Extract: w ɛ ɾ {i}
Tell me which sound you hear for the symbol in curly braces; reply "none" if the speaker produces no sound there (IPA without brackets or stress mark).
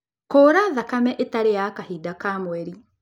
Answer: i